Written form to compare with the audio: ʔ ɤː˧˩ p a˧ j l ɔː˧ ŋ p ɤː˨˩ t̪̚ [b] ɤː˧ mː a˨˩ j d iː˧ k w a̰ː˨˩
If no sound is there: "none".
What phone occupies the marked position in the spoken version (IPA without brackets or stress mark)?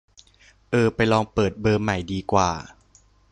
b